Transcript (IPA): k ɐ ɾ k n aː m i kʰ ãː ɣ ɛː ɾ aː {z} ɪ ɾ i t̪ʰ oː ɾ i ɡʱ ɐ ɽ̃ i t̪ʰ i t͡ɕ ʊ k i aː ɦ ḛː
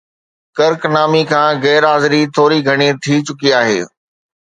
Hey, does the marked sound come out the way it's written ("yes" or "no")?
yes